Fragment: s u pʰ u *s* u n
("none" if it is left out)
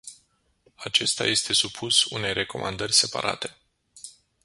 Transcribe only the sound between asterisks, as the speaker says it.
s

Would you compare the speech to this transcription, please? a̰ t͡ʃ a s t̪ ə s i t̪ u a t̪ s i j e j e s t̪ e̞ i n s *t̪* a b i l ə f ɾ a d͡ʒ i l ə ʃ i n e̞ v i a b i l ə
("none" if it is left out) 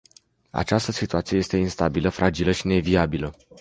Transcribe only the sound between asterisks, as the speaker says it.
t̪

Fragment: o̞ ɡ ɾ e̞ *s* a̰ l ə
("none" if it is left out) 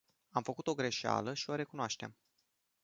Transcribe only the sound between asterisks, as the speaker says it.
ʃ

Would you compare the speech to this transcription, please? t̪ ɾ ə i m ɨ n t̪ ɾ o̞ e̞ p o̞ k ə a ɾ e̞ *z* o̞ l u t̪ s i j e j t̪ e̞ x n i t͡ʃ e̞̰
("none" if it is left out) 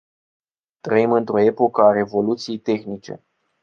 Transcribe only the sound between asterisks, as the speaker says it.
v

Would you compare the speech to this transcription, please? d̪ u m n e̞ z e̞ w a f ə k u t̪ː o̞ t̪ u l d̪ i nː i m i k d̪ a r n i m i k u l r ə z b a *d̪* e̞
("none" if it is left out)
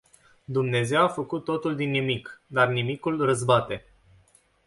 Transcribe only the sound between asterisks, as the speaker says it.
t̪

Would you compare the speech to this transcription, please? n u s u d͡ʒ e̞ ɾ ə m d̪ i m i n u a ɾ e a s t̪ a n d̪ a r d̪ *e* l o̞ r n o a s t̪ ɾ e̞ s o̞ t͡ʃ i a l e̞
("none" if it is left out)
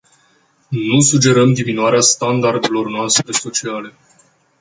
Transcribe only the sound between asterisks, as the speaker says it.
e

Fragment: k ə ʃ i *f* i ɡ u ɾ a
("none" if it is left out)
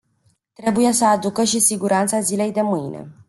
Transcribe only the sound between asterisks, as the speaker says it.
s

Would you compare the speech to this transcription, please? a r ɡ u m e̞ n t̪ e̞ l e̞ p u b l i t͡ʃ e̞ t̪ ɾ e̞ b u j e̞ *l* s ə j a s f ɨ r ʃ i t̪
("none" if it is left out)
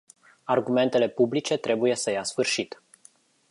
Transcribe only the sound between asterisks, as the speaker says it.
none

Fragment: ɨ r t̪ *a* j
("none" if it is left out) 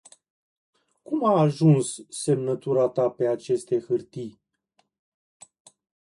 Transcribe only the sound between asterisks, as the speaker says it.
i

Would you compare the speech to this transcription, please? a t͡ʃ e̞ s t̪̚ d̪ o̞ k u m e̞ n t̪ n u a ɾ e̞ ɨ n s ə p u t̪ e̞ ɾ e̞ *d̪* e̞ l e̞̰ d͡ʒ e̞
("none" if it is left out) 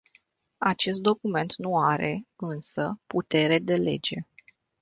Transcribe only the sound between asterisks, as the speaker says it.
d̪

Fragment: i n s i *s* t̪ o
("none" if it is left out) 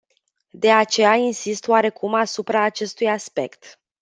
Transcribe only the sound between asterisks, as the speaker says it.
s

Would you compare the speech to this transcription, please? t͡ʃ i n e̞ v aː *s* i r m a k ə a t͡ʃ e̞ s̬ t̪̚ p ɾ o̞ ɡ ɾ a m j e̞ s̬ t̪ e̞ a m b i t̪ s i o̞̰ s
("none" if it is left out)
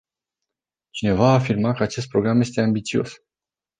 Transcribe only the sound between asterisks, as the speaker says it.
f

